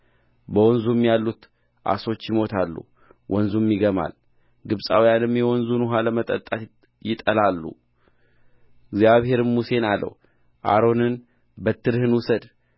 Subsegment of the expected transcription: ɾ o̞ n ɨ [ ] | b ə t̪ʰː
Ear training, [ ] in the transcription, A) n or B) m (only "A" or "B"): A